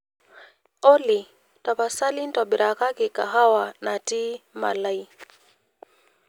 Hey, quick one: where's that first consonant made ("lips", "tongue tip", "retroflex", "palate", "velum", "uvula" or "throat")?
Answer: tongue tip